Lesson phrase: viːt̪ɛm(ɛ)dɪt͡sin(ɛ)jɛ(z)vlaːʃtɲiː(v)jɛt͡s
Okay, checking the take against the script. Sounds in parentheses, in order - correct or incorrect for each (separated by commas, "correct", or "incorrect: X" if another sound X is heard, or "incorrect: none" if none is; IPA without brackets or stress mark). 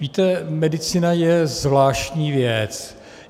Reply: correct, incorrect: a, correct, correct